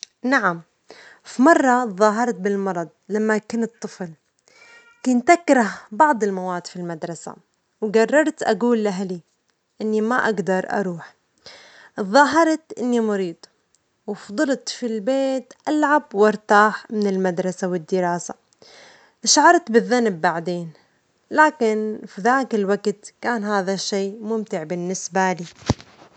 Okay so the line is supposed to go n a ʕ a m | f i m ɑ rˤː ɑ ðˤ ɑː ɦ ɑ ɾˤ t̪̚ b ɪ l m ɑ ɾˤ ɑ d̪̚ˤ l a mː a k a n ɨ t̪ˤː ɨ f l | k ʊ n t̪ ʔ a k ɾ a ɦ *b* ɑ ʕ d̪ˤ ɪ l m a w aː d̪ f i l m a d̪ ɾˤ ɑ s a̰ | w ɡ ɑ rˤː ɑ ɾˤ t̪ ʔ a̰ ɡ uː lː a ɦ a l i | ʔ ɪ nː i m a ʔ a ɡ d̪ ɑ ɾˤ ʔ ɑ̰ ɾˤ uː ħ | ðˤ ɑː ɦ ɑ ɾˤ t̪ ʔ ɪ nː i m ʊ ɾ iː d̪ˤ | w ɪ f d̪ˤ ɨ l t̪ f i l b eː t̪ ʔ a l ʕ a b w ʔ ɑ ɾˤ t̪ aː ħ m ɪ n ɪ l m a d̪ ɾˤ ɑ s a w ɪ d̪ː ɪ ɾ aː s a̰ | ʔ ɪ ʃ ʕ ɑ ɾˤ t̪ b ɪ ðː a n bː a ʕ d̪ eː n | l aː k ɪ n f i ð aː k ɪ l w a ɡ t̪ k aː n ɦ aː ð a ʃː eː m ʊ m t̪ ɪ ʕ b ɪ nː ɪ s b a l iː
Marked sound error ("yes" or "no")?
no